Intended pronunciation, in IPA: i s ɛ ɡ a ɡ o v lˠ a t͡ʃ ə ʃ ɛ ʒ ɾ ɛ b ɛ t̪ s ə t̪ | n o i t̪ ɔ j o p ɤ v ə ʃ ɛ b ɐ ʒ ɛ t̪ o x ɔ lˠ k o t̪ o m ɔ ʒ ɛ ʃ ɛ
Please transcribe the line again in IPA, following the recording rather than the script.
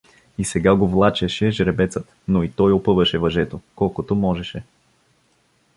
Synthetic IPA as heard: i s ɛ ɡ a ɡ o v lˠ a t͡ʃ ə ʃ ɛ ʒ ɾ ɛ b ɛ t̪ s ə t̪ | n o i t̪ ɔ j o p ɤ v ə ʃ ɛ v ɐ ʒ ɛ t̪ o k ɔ lˠ k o t̪ o m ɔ ʒ ɛ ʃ ɛ